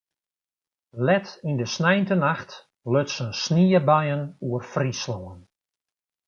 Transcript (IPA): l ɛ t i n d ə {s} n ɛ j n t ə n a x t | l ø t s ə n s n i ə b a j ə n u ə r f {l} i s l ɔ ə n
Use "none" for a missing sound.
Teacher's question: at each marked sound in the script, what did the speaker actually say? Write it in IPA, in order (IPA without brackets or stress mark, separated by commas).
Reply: s, r